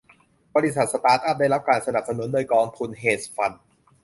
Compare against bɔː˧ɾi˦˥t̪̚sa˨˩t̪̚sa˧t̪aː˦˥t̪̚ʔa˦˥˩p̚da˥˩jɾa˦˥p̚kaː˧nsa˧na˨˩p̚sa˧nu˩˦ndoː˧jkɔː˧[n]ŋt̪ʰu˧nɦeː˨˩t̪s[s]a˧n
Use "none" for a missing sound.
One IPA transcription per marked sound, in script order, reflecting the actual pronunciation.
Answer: none, f

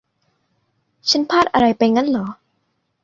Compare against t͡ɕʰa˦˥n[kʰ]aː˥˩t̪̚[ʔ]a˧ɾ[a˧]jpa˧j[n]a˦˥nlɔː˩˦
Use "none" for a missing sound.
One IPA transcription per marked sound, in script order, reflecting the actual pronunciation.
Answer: pʰ, ʔ, a˧, ŋ

